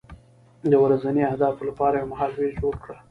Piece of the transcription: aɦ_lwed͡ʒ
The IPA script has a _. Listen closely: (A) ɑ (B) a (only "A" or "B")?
A